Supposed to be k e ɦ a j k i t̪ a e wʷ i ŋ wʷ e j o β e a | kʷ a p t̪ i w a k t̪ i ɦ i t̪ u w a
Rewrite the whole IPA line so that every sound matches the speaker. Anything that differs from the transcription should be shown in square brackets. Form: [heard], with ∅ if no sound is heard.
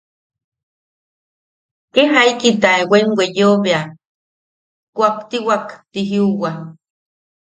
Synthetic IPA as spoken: k e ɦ a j k i t̪ a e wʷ [e] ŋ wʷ e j o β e a | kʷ a p t̪ i w a k t̪ i ɦ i [∅] u w a